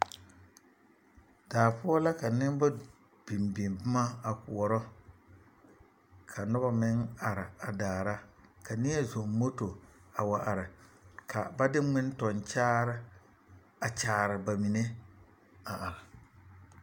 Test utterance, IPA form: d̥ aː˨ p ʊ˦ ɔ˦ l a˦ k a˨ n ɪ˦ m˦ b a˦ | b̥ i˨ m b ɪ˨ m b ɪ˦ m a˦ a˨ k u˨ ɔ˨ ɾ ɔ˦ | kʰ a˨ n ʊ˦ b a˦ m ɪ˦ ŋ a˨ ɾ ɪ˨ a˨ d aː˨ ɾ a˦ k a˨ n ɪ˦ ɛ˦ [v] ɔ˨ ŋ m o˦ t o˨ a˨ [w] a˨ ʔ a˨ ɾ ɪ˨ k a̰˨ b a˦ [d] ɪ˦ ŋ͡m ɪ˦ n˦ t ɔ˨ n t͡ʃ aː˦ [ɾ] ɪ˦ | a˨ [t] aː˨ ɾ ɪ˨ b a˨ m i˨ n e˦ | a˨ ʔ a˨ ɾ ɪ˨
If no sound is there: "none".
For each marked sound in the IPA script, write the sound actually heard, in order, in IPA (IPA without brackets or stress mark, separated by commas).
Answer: z, w, d, ɾ, t͡ʃ